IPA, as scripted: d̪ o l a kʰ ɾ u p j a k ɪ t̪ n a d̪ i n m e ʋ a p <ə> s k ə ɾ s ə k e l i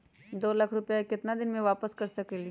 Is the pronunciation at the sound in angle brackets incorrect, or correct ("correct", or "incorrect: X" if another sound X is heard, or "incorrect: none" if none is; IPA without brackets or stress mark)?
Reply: correct